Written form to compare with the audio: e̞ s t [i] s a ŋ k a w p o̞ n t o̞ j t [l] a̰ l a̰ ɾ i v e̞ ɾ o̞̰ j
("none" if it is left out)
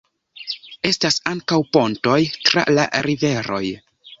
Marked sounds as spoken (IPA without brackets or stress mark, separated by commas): a, ɾ